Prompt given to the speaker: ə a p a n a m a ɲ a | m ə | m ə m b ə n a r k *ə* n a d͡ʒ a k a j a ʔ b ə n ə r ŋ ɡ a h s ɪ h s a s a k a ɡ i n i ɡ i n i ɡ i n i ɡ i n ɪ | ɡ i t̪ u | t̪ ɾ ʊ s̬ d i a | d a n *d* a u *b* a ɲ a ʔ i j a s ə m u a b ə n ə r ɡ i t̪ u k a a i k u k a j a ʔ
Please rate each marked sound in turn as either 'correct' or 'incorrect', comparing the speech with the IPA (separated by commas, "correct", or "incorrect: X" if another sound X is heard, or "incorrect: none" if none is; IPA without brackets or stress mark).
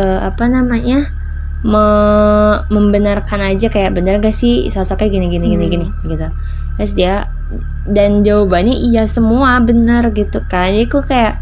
incorrect: a, incorrect: d͡ʒ, correct